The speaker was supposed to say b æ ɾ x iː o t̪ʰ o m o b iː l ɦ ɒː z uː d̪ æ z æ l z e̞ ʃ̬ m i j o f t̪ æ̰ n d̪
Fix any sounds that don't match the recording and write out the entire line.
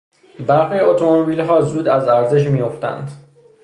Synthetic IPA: b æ ɾ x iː o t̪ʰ o m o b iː l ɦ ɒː z uː d̪ æ z æ ɾ z e̞ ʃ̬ m i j o f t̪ æ̰ n d̪

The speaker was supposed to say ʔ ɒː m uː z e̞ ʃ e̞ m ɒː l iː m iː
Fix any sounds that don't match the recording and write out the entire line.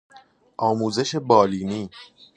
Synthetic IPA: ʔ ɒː m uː z e̞ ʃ e̞ b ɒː l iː n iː

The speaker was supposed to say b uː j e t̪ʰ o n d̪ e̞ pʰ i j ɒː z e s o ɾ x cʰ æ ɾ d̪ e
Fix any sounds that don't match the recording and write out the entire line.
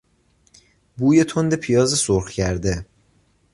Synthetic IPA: b uː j e t̪ʰ o n d̪ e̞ pʰ i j ɒː z e s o ɾ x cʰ æ ɾ d̪ e

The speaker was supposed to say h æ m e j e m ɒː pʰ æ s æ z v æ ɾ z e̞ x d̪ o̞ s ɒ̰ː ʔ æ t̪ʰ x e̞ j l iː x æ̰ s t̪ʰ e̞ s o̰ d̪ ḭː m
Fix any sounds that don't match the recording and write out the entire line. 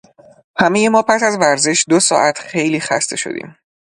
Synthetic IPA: h æ m e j e m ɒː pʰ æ s æ z v æ ɾ z e̞ ʃ d̪ o̞ s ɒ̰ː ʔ æ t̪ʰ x e̞ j l iː x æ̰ s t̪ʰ e̞ ʃ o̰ d̪ ḭː m

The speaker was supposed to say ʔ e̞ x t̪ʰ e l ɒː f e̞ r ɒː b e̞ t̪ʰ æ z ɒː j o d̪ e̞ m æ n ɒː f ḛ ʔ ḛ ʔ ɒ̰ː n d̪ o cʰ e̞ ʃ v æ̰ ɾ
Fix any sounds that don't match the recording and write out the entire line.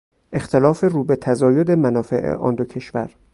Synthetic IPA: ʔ e̞ x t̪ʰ e l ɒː f e̞ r uː b e̞ t̪ʰ æ z ɒː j o d̪ e̞ m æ n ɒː f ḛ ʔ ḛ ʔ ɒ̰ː n d̪ o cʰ e̞ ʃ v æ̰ ɾ

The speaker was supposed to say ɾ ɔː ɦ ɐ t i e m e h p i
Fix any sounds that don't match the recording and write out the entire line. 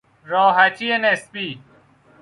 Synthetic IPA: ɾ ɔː ɦ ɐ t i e n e s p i

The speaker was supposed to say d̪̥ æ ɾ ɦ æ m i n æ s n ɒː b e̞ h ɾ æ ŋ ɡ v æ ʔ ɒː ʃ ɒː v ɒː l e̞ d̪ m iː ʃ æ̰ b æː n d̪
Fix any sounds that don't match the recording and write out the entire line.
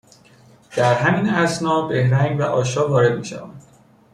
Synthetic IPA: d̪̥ æ ɾ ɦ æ m i n æ s n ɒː b e̞ h ɾ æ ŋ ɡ v æ ʔ ɒː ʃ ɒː v ɒː ɾ e̞ d̪ m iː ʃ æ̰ v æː n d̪

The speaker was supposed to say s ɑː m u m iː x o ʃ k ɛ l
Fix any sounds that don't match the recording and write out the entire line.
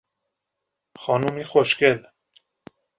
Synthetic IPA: x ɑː n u m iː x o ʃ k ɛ l

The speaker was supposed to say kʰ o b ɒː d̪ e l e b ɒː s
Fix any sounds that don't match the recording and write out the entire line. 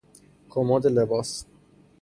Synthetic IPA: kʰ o m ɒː d̪ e l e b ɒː s

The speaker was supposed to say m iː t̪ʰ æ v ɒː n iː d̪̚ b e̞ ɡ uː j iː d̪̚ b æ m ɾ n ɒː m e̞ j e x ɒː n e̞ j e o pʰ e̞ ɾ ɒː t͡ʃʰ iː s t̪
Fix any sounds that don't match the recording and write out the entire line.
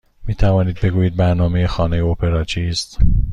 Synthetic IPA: m iː t̪ʰ æ v ɒː n iː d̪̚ b e̞ ɡ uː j iː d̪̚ b æ ɾ n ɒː m e̞ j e x ɒː n e̞ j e o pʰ e̞ ɾ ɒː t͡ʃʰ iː s t̪

